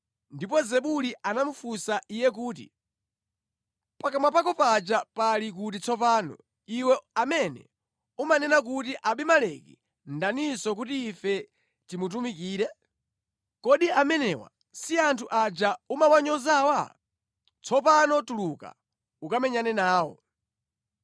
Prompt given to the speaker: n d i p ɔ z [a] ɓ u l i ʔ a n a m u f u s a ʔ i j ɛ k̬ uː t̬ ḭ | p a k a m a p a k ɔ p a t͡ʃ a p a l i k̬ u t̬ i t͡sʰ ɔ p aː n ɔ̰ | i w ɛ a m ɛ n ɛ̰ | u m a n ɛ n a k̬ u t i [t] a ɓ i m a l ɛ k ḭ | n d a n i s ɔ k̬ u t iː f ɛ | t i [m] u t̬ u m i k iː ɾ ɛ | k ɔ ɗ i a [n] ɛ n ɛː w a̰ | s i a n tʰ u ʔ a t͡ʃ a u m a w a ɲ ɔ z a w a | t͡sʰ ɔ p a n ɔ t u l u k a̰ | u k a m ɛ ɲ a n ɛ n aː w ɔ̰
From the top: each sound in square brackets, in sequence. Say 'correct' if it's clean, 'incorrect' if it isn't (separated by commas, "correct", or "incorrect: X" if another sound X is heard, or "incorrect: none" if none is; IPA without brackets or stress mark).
incorrect: ɛ, incorrect: ʔ, correct, incorrect: m